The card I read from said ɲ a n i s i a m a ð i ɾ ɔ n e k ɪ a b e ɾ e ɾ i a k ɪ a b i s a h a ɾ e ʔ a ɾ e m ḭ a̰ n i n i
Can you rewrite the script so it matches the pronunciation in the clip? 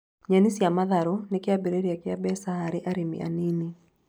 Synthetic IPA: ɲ a n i s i a m a ð a ɾ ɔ n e k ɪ a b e ɾ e ɾ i a k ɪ a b ɛ s a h a ɾ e ʔ a ɾ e m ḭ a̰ n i n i